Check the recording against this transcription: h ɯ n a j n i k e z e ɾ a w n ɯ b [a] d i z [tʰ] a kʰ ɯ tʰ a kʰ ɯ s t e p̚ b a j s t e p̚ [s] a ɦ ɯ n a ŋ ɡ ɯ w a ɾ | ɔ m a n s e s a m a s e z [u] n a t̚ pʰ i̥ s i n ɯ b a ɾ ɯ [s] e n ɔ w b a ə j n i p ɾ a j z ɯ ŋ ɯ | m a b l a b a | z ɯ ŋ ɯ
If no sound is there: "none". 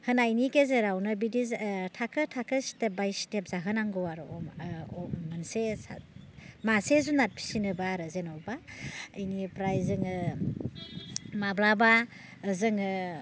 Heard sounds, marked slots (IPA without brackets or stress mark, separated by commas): i, tʰ, z, u, z